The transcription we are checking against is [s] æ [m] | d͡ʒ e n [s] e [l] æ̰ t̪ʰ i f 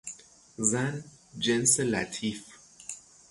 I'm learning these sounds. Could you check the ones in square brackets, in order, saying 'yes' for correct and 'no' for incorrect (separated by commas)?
no, no, yes, yes